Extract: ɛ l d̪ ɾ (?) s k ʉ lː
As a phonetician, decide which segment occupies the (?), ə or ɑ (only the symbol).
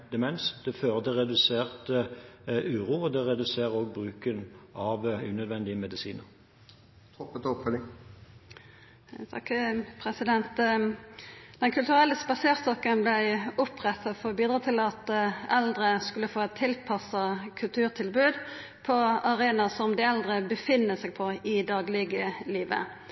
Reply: ə